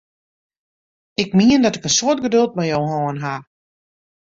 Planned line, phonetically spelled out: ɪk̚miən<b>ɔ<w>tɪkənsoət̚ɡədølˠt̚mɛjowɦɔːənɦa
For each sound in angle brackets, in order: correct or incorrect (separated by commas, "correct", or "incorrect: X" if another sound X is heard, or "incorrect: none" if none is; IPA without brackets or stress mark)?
incorrect: d, incorrect: none